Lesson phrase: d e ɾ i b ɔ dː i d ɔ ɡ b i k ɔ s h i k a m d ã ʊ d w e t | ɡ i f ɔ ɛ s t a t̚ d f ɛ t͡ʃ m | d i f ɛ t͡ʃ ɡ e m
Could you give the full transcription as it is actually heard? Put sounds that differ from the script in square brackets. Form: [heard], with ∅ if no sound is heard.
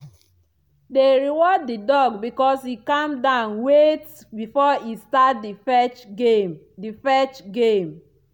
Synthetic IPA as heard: d e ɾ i [w] ɔ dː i d ɔ ɡ b i k ɔ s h i k a m d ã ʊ [n] w e t | [b] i f ɔ [i] s t a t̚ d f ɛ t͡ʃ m | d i f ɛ t͡ʃ ɡ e m